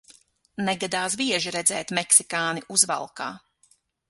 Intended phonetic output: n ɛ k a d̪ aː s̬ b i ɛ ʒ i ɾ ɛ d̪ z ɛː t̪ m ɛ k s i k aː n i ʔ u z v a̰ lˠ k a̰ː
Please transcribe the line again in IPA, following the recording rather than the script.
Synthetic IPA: n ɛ ɡ a d̪ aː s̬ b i ɛ ʒ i ɾ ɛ d̪ z ɛː t̪ m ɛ k s i k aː n i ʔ u z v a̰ lˠ k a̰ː

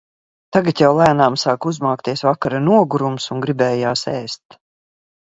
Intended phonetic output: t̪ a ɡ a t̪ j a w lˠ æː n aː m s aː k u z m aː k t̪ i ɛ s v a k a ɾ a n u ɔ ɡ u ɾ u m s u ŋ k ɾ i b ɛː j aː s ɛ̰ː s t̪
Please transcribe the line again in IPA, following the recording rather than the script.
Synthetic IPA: t̪ a ɡ a t̪ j a w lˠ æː n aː m s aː k u z m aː k t̪ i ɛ s v a k a ɾ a n u ɔ ɡ u ɾ u m s u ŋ ɡ ɾ i b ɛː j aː s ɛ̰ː s t̪

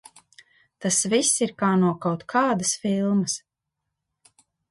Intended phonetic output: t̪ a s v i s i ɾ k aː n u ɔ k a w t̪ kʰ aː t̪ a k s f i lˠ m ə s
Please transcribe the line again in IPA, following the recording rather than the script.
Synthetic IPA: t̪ a s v i s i ɾ k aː n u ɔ k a w t̪ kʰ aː d̪ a s f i lˠ m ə s

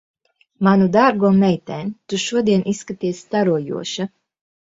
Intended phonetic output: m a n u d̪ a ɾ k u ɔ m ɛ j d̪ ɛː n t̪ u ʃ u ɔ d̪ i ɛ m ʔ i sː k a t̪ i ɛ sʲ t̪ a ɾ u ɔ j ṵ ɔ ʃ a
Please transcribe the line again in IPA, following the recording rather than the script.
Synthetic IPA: m a n u d̪ a ɾ ɡ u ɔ m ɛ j t̪ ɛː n t̪ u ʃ u ɔ d̪ i ɛ n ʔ i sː k a t̪ i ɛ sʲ t̪ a ɾ u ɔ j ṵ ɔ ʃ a

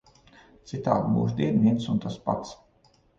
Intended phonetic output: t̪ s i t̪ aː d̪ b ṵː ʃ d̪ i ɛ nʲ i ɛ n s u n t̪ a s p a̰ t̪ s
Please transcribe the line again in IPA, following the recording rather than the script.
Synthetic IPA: t̪ s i t̪ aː d̪ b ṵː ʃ d̪ i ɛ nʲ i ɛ n s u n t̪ a s p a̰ t̪ s

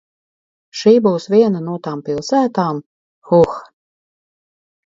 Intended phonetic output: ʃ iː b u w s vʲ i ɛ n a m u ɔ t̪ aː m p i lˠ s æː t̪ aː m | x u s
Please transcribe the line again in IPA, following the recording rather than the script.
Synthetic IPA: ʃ iː b u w s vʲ i ɛ n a n u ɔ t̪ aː m p i lˠ s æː t̪ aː m | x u x

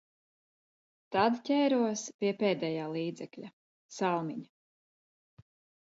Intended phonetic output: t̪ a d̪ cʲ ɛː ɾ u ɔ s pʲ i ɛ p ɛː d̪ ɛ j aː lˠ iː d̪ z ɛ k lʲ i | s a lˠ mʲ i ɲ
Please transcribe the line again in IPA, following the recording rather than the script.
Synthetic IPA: t̪ a d̪ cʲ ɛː ɾ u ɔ s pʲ i ɛ p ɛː d̪ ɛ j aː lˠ iː d̪ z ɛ k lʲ a | s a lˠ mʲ i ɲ

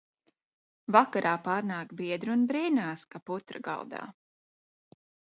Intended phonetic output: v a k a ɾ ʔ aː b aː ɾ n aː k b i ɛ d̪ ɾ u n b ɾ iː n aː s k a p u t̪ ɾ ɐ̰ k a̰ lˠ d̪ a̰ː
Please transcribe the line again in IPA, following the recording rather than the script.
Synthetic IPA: v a k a ɾ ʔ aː p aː ɾ n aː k b i ɛ d̪ ɾ u n b ɾ iː n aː s k a p u t̪ ɾ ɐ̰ ɡ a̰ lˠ d̪ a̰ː

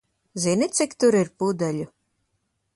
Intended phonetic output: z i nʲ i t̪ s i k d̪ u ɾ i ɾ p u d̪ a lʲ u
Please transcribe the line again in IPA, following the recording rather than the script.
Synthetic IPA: z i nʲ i t̪ s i k t̪ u ɾ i ɾ p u d̪ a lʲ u

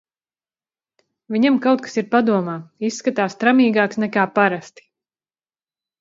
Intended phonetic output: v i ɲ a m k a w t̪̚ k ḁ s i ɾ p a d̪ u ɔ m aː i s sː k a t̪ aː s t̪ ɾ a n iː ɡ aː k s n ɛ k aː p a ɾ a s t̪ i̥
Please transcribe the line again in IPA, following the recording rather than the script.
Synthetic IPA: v i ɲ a m k a w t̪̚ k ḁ s i ɾ p a d̪ u ɔ m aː i s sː k a t̪ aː s t̪ ɾ a m iː ɡ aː k s n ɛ k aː p a ɾ a s t̪ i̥

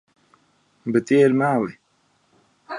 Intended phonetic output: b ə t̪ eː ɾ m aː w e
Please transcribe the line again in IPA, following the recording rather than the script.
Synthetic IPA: b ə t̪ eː ɾ m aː w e

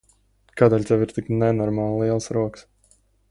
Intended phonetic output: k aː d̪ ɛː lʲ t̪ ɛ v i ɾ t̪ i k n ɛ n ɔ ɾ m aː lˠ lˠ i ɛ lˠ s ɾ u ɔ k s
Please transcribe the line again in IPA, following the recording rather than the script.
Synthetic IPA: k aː d̪ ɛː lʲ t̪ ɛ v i ɾ t̪ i k n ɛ n ɔ ɾ m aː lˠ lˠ i ɛ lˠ s ɾ u ɔ k s

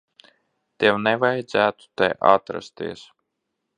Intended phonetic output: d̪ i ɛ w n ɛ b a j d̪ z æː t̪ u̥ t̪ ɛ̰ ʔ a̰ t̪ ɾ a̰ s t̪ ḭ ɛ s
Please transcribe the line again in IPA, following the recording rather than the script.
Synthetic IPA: t̪ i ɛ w n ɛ v a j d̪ z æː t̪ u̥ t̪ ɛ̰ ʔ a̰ t̪ ɾ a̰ s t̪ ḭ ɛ s

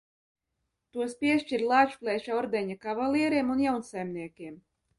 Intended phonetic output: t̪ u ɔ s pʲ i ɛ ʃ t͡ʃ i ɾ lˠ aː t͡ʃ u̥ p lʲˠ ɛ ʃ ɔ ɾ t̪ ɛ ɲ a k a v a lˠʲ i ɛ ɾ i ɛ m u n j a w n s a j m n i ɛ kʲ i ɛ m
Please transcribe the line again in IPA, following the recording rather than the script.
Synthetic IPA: t̪ u ɔ s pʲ i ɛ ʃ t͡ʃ i ɾ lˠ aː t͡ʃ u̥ p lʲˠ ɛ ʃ ɔ ɾ d̪ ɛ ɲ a k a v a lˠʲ i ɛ ɾ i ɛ m u n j a w n s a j m n i ɛ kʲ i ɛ m

